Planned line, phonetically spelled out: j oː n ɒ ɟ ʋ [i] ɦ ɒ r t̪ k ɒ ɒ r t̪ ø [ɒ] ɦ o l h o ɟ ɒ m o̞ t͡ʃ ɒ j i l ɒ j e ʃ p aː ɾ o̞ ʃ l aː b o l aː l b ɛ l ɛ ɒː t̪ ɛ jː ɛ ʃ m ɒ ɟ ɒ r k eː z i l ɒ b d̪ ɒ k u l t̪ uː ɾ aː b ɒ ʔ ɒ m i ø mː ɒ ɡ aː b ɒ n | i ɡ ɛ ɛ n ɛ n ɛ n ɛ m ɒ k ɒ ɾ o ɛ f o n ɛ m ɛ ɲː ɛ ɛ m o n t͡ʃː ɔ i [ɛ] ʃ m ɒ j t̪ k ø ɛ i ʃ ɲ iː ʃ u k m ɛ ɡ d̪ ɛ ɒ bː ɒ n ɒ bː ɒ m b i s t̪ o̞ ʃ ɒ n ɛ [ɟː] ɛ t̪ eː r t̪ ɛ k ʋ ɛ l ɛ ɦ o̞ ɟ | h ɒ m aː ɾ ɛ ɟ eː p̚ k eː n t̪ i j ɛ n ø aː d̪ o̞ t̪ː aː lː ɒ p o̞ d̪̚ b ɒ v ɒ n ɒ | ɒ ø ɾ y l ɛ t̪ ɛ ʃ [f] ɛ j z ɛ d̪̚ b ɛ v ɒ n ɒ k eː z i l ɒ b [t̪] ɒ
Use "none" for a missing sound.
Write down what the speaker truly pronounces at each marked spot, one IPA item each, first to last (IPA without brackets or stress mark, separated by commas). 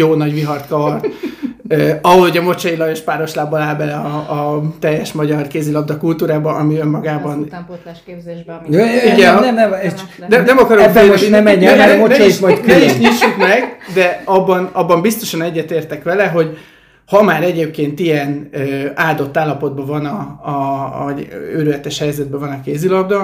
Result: i, ɒ, i, ɟː, h, d̪